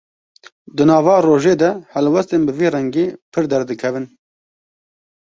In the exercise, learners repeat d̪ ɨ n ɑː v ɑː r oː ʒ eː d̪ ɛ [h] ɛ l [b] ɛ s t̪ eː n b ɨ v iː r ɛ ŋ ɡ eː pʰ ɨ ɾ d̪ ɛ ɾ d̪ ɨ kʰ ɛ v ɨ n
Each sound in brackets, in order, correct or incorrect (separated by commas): correct, incorrect